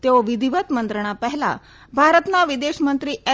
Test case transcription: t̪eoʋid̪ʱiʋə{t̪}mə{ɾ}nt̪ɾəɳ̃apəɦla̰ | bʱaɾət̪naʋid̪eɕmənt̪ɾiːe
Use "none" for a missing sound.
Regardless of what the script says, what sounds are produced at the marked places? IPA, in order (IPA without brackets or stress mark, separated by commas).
t̪, none